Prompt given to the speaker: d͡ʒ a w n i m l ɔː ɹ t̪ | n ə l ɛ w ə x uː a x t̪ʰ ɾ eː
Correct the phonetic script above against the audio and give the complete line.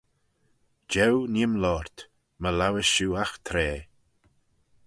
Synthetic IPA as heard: d͡ʒ ɛ w n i m l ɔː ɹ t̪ | m ə l a w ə ʃ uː a x t̪ʰ ɾ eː

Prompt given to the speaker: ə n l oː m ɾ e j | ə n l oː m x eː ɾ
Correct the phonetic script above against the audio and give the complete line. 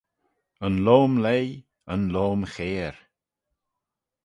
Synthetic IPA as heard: ə n l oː m l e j | ə n l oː m x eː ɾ

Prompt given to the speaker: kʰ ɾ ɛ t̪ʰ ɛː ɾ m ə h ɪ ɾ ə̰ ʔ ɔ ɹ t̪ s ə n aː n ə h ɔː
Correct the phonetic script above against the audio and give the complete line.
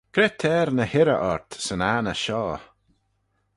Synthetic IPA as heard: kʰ ɾ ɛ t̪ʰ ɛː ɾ n ə h ɪ ɾ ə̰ ʔ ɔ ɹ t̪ s ə n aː n ə ʃ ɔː

